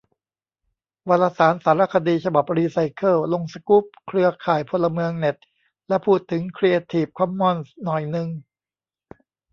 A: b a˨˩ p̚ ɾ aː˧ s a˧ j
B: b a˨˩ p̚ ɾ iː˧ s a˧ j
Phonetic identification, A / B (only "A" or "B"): B